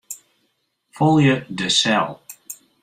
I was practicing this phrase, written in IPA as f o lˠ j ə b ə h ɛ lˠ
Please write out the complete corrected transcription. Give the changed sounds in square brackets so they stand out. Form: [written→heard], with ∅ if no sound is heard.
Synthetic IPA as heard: f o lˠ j ə [b→d] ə [h→s] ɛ lˠ